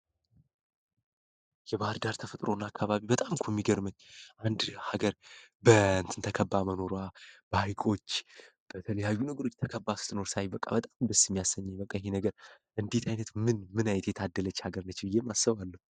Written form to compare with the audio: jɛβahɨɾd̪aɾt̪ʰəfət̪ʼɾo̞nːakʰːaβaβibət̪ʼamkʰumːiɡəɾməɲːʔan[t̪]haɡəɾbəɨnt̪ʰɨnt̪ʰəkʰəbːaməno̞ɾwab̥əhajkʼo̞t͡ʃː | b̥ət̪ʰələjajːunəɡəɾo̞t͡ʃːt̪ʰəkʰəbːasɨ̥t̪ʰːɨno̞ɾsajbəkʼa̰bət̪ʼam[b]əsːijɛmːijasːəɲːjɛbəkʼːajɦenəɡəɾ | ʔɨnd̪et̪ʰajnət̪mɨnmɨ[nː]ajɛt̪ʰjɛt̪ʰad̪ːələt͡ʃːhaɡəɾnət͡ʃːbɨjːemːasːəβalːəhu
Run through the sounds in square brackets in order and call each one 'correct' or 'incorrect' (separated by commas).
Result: incorrect, correct, incorrect